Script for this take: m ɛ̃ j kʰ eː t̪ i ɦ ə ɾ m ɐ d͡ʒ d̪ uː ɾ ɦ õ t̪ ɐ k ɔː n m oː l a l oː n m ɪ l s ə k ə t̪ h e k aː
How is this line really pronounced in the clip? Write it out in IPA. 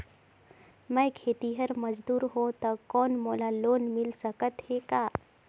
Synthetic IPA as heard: m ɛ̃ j kʰ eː t̪ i ɦ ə ɾ m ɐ d͡ʒ d̪ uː ɾ ɦ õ t̪ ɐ k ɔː n m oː l a l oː n m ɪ l s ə k ə t̪ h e k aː